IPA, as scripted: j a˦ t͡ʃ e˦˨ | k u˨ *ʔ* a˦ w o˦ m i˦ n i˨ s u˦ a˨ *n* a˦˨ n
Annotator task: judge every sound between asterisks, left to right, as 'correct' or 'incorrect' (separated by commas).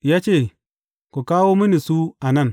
incorrect, correct